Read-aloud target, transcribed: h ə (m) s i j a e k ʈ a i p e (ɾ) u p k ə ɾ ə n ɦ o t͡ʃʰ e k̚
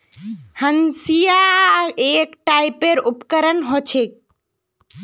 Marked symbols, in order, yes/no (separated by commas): no, yes